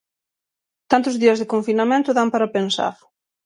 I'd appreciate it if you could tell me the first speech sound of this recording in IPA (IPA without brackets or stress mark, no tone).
t̪